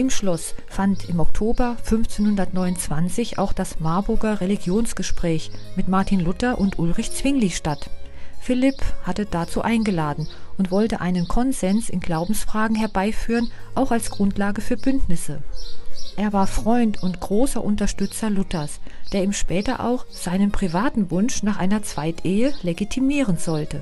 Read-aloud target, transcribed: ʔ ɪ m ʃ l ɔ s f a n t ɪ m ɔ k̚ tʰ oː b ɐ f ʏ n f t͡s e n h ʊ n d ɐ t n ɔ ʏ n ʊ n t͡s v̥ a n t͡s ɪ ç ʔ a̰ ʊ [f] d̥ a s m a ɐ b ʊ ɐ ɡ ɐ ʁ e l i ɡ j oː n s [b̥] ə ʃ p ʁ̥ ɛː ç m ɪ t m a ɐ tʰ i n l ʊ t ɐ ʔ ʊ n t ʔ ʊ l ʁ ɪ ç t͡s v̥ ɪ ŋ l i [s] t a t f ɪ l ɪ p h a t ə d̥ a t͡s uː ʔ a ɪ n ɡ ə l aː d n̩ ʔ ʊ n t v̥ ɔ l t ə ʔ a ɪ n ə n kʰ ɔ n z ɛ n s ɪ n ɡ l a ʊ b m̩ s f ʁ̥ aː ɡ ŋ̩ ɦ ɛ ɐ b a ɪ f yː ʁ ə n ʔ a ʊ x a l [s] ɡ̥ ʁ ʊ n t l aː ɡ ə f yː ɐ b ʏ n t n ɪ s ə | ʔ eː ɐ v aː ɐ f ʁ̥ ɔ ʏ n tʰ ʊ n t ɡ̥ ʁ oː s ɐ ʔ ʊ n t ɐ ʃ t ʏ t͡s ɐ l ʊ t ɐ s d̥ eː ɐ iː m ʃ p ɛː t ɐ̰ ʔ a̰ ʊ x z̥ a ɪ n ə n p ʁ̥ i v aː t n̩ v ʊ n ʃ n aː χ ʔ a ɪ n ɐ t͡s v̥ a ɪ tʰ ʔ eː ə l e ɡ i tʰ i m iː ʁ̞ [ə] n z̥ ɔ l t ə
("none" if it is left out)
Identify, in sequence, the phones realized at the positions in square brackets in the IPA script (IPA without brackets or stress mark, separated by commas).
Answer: x, ɡ̥, ʃ, s, ə